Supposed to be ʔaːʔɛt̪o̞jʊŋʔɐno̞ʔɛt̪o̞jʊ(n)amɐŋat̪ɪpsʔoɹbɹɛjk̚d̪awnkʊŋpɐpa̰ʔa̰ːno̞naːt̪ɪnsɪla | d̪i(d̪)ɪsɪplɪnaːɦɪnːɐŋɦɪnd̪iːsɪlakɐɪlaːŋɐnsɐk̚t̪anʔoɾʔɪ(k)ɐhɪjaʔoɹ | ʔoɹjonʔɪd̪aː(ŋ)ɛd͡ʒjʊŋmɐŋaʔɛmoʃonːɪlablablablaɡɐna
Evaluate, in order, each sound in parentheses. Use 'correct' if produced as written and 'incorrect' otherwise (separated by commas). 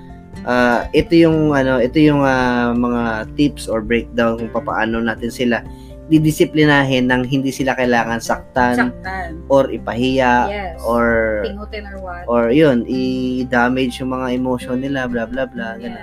incorrect, correct, incorrect, incorrect